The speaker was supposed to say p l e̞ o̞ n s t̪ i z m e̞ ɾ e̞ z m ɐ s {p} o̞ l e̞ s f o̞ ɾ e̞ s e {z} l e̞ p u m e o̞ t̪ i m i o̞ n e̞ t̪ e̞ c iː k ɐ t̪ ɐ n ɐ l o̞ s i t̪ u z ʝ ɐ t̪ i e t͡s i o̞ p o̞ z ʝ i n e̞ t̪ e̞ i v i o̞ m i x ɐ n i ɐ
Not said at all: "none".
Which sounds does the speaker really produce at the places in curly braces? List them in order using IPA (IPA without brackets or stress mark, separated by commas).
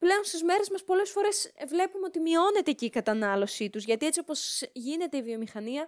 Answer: p, v